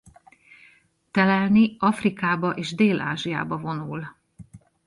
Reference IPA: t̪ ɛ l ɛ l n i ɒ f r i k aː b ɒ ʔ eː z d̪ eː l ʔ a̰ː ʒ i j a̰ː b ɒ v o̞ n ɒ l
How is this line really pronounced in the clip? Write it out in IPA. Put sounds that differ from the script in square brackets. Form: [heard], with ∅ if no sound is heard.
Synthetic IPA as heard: t̪ ɛ l ɛ l n i ɒ f r i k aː b ɒ ʔ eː [ʒ] d̪ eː l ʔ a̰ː ʒ i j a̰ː b ɒ v o̞ n [u] l

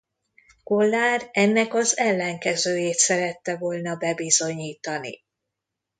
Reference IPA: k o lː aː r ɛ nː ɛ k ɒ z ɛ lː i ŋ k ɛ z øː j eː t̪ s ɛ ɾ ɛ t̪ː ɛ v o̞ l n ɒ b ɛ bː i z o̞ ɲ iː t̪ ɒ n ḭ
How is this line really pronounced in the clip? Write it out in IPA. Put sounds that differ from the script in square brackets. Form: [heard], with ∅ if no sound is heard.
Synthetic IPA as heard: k o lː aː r ɛ nː ɛ k ɒ z ɛ lː [ɛ] ŋ k ɛ z øː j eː t̪ s ɛ ɾ ɛ t̪ː ɛ v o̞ l n ɒ b ɛ [b] i z o̞ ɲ iː t̪ ɒ n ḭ

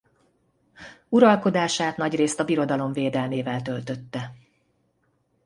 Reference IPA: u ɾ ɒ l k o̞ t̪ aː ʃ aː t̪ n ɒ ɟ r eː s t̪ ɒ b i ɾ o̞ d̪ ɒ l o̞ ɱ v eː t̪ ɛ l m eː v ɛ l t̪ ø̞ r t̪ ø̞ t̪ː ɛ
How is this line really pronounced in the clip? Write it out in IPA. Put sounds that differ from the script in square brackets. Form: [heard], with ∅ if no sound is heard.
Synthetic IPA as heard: u ɾ ɒ l k o̞ [d̪] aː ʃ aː t̪ n ɒ ɟ r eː s t̪ ɒ b i ɾ o̞ d̪ ɒ l o̞ ɱ v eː [d̪] ɛ l m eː v ɛ l t̪ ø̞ [l] t̪ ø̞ t̪ː ɛ

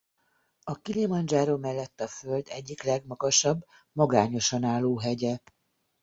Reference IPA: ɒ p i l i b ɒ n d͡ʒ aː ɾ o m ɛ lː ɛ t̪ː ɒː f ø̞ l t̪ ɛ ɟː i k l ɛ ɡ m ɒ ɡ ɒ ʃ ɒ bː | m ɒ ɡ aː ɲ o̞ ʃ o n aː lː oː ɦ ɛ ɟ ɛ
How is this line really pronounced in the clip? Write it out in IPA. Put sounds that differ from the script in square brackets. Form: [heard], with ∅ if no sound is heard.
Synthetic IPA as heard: ɒ [k] i l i [m] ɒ n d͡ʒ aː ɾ o m ɛ lː ɛ t̪ː [ɒ] f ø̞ l [d̪] ɛ ɟː i k l ɛ ɡ m ɒ ɡ ɒ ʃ ɒ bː | m ɒ ɡ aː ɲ o̞ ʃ [ɒ] n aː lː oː ɦ ɛ ɟ ɛ

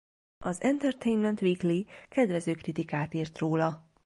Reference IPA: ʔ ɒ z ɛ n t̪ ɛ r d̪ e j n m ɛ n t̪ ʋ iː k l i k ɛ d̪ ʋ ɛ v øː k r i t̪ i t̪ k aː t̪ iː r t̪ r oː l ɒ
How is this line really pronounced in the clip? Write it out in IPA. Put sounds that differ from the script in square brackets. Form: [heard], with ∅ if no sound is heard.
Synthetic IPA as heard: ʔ ɒ z ɛ n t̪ ɛ r [t̪] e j n m ɛ n t̪ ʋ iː k l i k ɛ d̪ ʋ ɛ [z] øː k r i t̪ i [∅] k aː t̪ iː r t̪ r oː l ɒ

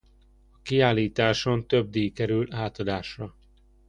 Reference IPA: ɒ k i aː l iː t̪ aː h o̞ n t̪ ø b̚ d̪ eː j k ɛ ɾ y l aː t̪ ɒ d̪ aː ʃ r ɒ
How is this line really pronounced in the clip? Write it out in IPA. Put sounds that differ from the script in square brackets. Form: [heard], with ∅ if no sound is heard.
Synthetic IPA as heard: ɒ k i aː l iː t̪ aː [ʃ] o̞ n t̪ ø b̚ d̪ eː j k ɛ ɾ y l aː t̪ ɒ d̪ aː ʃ r ɒ

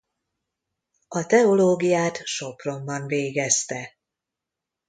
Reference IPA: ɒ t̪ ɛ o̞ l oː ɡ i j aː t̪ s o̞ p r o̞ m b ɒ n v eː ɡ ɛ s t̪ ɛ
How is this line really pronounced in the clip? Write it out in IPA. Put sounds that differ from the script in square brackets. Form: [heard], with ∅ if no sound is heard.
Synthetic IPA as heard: ɒ t̪ ɛ o̞ l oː ɡ i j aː t̪ [ʃ] o̞ p r o̞ m b ɒ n v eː ɡ ɛ s t̪ ɛ

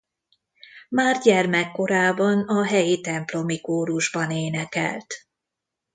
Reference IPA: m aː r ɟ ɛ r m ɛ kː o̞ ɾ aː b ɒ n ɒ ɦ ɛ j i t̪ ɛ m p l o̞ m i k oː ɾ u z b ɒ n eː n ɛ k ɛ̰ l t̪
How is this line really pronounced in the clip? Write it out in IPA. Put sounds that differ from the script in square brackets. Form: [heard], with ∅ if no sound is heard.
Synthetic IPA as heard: m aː r ɟ ɛ r m ɛ kː o̞ ɾ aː b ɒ n ɒ ɦ ɛ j i t̪ ɛ m p l o̞ m i k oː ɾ u [ʒ] b ɒ n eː n ɛ k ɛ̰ l t̪

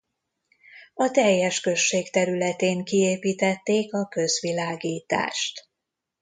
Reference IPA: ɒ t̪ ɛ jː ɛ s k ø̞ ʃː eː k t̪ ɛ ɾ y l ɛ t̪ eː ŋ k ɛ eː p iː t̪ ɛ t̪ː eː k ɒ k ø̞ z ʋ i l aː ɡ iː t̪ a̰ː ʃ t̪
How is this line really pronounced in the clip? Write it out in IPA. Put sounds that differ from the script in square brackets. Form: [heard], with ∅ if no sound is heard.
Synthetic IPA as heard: ɒ t̪ ɛ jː ɛ [ʃ] k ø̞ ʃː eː k t̪ ɛ ɾ y l ɛ t̪ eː ŋ k [i] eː p iː t̪ ɛ t̪ː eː k ɒ k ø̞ z ʋ i l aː ɡ iː t̪ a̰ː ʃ t̪

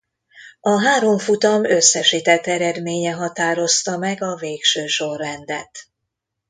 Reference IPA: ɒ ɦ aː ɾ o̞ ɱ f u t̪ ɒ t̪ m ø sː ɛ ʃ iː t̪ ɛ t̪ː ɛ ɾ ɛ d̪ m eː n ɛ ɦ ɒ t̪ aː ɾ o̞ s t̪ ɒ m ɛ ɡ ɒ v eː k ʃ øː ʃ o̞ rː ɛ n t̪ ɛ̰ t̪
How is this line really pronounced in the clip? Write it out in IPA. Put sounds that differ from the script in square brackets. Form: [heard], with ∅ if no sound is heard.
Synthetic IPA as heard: ɒ ɦ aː ɾ o̞ ɱ f u t̪ ɒ [∅] m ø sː ɛ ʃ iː t̪ ɛ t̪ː ɛ ɾ ɛ d̪ m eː [ɲ] ɛ ɦ ɒ t̪ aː ɾ o̞ s t̪ ɒ m ɛ ɡ ɒ v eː k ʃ øː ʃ o̞ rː ɛ n [d̪] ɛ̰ t̪

